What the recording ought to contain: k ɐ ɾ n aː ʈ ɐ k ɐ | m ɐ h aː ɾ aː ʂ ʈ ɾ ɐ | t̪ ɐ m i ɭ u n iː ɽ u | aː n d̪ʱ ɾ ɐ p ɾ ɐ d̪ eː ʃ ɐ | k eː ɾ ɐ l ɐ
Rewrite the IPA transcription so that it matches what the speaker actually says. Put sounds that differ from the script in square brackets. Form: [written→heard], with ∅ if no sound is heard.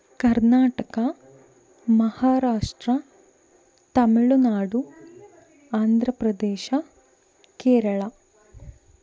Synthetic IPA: k ɐ ɾ n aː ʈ ɐ k ɐ | m ɐ h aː ɾ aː ʂ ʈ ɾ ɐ | t̪ ɐ m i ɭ u n [iː→aː] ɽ u | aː n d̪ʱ ɾ ɐ p ɾ ɐ d̪ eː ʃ ɐ | k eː ɾ ɐ [l→ɭ] ɐ

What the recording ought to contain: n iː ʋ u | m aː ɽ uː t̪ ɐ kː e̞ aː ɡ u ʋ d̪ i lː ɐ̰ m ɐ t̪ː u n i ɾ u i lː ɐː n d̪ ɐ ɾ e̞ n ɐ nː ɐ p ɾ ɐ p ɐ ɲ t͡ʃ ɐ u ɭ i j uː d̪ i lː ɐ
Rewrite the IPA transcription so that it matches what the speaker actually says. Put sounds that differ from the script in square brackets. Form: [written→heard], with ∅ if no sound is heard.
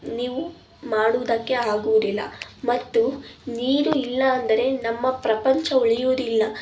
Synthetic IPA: n iː ʋ u | m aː ɽ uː [t̪→d̪] ɐ kː e̞ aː ɡ u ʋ d̪ i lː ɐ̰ m ɐ t̪ː u n [i→iː] ɾ u i lː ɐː n d̪ ɐ ɾ e̞ n ɐ [nː→mː] ɐ p ɾ ɐ p ɐ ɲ t͡ʃ ɐ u ɭ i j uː d̪ i lː ɐ

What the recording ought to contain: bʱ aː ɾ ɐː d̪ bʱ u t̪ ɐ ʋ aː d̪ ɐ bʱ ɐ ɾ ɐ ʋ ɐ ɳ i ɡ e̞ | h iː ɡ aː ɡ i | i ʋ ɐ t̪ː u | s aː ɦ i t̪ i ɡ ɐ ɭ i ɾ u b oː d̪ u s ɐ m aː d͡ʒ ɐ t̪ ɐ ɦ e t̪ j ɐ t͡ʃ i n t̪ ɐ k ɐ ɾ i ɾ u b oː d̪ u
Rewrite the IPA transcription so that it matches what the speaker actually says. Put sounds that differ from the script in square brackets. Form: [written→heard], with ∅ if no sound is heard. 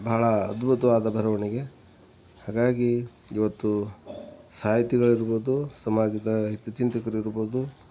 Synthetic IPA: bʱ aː [ɾ→ɭ] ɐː d̪ bʱ u t̪ ɐ ʋ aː d̪ ɐ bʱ ɐ ɾ ɐ ʋ ɐ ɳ i ɡ e̞ | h [iː→aː] ɡ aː ɡ i | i ʋ ɐ t̪ː u | s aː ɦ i t̪ i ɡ ɐ ɭ i ɾ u b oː d̪ u s ɐ m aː d͡ʒ ɐ [t̪→d̪] ɐ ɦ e t̪ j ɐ t͡ʃ i n t̪ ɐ k ɐ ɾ i ɾ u b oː d̪ u

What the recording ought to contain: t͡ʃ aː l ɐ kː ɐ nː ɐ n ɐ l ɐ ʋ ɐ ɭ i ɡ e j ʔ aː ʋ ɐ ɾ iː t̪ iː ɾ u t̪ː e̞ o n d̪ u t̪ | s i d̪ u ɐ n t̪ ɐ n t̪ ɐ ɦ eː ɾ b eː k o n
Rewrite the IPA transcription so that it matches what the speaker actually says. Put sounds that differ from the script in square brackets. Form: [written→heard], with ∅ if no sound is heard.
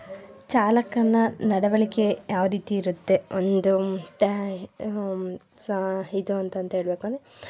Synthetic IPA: t͡ʃ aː l ɐ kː ɐ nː ɐ n ɐ [l→ɽ] ɐ ʋ ɐ ɭ i [ɡ→k] e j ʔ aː ʋ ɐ ɾ iː t̪ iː ɾ u t̪ː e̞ o n d̪ u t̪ | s i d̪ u ɐ n t̪ ɐ n t̪ ɐ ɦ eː [ɾ→ɭ] b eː k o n

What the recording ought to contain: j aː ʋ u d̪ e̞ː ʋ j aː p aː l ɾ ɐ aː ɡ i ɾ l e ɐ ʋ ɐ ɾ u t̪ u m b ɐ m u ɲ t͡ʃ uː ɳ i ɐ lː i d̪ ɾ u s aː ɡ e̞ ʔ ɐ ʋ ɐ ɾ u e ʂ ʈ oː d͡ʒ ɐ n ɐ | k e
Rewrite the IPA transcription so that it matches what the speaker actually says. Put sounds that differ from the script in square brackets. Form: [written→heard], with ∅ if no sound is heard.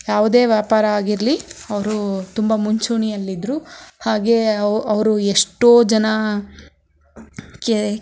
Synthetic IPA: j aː ʋ u d̪ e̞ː ʋ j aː p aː [l→∅] ɾ ɐ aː ɡ i ɾ l [e→i] ɐ ʋ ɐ ɾ u t̪ u m b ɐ m u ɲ t͡ʃ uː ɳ i ɐ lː i d̪ ɾ u [s→h] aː ɡ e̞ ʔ ɐ ʋ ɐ ɾ u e ʂ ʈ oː d͡ʒ ɐ n ɐ | k e

